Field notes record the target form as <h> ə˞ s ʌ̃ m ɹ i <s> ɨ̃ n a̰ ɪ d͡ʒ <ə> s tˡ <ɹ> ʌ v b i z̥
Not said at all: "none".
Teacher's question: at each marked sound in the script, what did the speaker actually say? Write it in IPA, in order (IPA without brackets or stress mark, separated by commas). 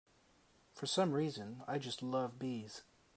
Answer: f, z, ʌ, l